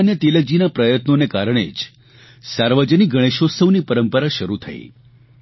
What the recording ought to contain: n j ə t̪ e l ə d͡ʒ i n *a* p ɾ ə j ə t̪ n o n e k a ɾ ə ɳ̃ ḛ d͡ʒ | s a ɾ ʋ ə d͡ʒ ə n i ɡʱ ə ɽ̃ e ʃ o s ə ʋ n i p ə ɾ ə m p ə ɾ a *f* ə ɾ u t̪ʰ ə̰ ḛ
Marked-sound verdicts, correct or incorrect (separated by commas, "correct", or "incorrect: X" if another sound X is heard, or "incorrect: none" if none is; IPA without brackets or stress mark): correct, incorrect: ʃ